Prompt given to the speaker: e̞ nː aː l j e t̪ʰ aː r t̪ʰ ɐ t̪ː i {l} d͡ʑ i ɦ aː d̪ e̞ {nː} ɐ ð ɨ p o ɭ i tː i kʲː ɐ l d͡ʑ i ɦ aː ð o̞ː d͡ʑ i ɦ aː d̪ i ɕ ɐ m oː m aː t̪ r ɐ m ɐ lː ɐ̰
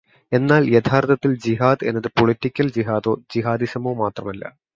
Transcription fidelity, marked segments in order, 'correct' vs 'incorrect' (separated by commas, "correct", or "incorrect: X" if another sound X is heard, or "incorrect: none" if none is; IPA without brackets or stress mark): correct, correct